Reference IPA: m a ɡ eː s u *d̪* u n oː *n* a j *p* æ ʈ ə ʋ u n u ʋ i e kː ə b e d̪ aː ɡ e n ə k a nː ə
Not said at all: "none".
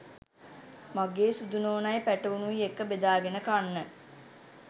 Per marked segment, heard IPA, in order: d̪, n, p

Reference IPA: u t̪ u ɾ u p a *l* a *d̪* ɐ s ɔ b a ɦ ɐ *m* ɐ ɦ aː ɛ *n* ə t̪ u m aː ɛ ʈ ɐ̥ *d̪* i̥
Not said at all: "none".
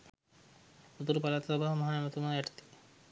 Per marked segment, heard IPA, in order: l, t̪, m, m, t̪

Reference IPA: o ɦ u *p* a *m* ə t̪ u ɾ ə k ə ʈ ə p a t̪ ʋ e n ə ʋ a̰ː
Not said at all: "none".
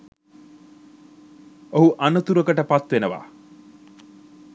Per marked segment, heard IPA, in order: ʔ, n

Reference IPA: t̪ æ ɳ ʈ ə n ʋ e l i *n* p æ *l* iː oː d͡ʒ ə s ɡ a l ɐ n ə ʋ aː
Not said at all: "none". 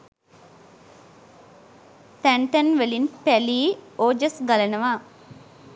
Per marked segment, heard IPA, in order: n, l

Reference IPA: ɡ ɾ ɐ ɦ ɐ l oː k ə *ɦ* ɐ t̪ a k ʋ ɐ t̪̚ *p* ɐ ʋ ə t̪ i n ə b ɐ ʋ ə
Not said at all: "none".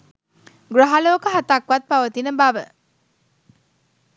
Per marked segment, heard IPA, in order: ɦ, p

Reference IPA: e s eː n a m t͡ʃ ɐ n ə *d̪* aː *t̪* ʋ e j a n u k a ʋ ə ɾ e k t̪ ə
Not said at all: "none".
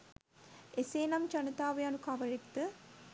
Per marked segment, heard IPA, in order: t̪, none

